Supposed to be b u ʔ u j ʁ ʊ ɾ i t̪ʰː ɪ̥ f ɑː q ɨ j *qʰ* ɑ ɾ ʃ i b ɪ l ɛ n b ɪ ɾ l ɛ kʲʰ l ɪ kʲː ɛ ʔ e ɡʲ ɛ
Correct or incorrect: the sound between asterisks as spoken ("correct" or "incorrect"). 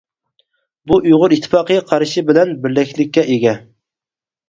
correct